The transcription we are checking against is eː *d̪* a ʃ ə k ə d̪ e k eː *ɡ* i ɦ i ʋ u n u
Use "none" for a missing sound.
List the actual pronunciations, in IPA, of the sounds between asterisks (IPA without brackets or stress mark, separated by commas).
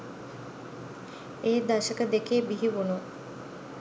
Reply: d̪, b